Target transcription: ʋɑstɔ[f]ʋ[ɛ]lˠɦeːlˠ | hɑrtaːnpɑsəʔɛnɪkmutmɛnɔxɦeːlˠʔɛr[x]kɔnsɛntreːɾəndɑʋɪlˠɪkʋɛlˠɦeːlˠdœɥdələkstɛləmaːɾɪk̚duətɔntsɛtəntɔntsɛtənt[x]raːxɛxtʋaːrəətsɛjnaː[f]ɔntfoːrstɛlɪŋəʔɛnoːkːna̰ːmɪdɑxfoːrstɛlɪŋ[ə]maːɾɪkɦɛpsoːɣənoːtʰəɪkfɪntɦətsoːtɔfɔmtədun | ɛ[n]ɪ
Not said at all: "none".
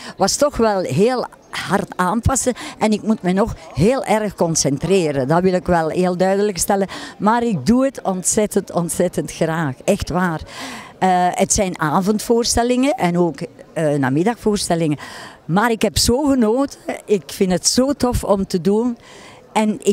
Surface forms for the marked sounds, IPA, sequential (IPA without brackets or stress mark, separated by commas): x, ɛ, x, x, v, ə, n